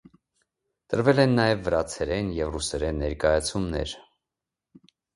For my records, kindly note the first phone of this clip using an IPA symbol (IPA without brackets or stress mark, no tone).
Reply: t̪